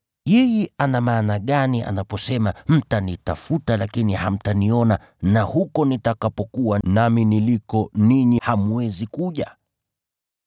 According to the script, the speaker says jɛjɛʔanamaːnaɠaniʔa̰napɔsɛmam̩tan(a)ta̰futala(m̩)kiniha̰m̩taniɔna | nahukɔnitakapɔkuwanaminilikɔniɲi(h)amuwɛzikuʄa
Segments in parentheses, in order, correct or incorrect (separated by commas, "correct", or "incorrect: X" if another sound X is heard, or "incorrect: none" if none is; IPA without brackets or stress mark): incorrect: i, incorrect: none, correct